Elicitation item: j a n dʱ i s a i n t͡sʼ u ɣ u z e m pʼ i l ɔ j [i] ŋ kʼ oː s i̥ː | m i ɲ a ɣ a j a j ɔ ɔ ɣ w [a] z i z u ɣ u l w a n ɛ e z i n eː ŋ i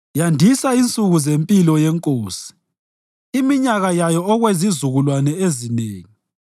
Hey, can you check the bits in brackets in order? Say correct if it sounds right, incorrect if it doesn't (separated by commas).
incorrect, incorrect